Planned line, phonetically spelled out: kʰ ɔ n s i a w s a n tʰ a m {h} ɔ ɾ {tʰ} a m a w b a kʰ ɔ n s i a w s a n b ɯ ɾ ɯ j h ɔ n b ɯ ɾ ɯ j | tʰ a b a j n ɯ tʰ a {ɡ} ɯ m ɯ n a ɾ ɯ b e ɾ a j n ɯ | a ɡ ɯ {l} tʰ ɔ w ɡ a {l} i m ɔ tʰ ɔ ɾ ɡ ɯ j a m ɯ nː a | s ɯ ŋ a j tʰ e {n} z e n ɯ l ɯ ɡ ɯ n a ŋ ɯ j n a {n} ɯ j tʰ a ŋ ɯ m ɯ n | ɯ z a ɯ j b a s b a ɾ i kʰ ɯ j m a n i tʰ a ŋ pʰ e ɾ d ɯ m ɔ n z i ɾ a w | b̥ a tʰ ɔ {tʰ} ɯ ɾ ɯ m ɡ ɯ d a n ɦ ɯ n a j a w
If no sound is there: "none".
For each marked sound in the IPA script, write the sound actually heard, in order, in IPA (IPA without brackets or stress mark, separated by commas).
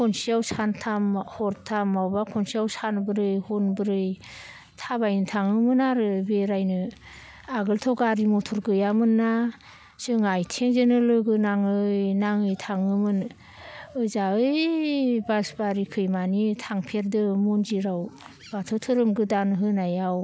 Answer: h, tʰ, ŋ, l, ɾ, ŋ, ŋ, tʰ